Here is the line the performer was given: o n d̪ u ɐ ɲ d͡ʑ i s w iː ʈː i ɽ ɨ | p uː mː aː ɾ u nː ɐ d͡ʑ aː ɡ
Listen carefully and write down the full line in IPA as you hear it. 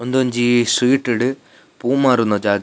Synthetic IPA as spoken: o n d̪ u ɐ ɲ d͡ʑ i s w iː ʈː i ɽ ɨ | p uː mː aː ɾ u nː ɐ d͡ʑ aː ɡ